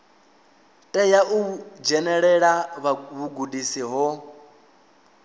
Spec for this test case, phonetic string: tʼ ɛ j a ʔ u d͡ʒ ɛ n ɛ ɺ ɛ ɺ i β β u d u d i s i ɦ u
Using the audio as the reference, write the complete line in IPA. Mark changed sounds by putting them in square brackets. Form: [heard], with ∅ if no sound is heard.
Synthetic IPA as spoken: tʼ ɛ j a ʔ u d͡ʒ ɛ n ɛ ɺ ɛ ɺ [a] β β u [ɡ] u d i s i ɦ [ɔ]